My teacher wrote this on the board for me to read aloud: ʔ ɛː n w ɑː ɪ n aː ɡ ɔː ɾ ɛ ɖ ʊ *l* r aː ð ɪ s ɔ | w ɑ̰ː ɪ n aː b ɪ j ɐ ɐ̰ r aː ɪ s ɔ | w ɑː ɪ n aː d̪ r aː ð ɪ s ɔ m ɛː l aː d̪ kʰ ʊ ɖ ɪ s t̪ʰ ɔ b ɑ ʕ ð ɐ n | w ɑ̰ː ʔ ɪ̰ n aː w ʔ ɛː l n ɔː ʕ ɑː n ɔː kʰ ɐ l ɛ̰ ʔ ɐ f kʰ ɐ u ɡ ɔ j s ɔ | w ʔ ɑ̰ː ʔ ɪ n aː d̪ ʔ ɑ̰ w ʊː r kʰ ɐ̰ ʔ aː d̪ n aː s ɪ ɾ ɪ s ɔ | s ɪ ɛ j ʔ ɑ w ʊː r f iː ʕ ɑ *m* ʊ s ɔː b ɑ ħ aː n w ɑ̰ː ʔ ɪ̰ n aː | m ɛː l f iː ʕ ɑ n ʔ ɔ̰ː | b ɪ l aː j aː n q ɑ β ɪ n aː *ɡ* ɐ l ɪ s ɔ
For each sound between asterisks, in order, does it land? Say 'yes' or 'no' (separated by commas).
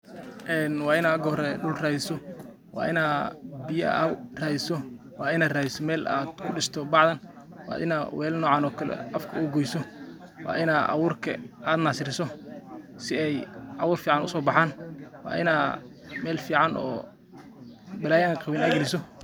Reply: yes, no, yes